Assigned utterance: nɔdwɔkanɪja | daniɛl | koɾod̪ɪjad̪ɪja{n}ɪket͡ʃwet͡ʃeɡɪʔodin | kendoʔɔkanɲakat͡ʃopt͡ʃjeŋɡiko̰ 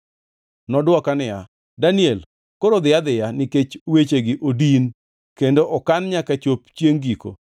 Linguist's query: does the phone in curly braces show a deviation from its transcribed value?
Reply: no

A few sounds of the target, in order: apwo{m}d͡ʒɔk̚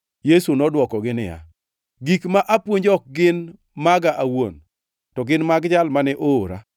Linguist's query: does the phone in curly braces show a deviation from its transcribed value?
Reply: yes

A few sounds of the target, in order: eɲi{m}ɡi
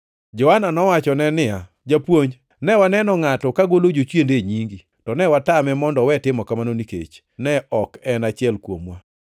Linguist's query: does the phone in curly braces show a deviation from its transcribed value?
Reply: yes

